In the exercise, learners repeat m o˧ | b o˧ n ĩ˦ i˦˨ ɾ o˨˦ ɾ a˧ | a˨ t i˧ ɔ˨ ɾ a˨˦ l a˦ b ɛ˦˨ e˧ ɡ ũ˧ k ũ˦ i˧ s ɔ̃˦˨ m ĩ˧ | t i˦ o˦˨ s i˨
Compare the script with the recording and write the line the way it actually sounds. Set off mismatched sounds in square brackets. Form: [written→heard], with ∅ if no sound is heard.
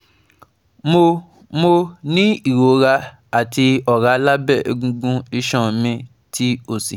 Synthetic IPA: m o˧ | [b→m] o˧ n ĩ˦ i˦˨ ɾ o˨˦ ɾ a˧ | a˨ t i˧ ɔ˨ ɾ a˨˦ l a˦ b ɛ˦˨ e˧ ɡ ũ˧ [k→ɡ] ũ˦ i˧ [s→ʃ] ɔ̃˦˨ m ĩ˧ | t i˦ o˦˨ s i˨